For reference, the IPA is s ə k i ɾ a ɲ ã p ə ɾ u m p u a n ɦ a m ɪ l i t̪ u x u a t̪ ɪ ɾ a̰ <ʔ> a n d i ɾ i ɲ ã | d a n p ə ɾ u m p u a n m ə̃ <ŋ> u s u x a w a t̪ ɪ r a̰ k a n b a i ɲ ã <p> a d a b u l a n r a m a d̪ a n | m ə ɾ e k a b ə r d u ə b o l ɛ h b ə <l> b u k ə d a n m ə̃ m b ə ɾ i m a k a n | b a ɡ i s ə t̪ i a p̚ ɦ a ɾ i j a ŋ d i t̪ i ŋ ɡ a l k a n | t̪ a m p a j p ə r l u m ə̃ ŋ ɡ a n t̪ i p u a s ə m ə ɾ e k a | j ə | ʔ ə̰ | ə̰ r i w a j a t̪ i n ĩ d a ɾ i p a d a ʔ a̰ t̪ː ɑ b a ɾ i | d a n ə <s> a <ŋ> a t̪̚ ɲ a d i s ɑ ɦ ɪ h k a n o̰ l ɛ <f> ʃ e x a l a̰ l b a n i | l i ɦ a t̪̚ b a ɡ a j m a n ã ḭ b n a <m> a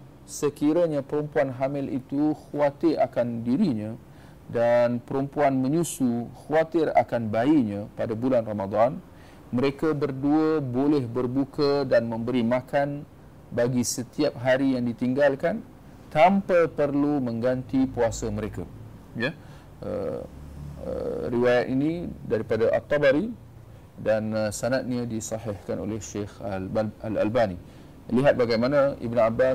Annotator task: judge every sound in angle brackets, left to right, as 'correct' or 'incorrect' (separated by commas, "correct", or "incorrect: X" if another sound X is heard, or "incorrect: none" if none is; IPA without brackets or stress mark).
incorrect: k, incorrect: ɲ, correct, incorrect: r, correct, incorrect: n, incorrect: h, incorrect: b